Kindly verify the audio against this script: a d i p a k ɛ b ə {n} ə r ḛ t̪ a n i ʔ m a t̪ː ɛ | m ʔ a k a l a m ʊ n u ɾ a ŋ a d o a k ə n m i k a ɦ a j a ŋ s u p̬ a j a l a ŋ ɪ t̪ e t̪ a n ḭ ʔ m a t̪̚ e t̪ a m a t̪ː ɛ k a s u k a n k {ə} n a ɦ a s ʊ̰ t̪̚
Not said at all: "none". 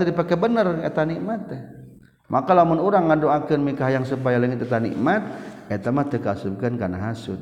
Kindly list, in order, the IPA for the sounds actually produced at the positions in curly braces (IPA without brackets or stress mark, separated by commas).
n, a